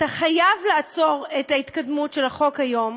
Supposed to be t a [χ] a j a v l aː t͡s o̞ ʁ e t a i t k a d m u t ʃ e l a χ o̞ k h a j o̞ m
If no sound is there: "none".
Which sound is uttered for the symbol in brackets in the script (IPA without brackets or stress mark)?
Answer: χ